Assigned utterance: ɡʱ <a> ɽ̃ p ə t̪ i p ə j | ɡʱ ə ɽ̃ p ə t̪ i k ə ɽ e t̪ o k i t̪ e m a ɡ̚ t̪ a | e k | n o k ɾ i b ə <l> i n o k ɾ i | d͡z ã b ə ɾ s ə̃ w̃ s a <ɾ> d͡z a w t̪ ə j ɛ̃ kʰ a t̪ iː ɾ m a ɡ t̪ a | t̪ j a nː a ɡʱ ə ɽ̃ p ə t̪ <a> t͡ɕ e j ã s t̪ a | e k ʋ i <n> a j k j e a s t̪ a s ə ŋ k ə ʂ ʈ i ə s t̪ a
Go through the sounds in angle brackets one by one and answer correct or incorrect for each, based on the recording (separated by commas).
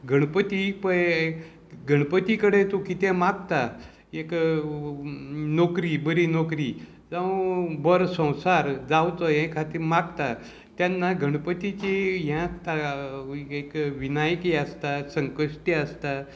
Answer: incorrect, incorrect, correct, incorrect, correct